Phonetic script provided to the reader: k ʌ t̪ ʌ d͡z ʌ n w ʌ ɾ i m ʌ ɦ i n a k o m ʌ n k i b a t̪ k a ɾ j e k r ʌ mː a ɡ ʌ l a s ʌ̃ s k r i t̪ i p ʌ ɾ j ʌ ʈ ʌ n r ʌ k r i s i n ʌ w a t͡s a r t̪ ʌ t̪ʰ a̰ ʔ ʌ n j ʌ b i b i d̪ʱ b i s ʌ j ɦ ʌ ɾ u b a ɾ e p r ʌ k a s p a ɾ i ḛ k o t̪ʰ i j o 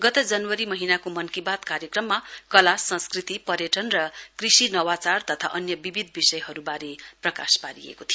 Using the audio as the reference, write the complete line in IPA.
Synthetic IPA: ɡ ʌ t̪ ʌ d͡z ʌ n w ʌ ɾ i m ʌ ɦ i n a k o m ʌ n k i b a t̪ k a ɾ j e k r ʌ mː a k ʌ l a s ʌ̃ s k r i t̪ i p ʌ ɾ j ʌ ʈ ʌ n r ʌ k r i s i n ʌ w a t͡s a r t̪ ʌ t̪ʰ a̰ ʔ ʌ n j ʌ b i b i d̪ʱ b i s ʌ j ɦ ʌ ɾ u b a ɾ e p r ʌ k a s p a ɾ i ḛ k o t̪ʰ i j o